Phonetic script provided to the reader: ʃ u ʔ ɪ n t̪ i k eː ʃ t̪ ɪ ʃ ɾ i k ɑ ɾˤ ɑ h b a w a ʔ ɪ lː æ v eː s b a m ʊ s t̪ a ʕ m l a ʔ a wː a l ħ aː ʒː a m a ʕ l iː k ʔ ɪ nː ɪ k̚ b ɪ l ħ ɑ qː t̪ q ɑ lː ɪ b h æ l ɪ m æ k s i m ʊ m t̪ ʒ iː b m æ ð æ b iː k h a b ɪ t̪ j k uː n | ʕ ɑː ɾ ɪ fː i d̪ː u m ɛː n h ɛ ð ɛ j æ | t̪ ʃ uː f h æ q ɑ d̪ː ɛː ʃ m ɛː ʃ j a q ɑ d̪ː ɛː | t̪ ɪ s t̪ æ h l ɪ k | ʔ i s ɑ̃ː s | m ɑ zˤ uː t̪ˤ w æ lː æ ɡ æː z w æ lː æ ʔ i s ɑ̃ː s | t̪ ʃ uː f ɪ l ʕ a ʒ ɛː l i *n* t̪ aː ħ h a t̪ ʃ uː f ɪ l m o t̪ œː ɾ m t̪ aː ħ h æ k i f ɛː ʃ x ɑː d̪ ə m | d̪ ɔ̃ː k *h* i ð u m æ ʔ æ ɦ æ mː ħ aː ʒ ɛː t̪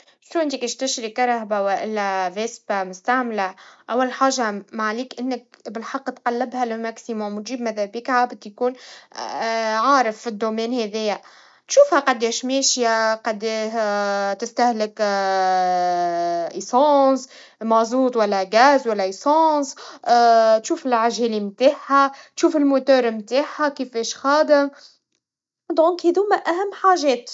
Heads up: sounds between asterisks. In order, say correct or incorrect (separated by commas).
incorrect, correct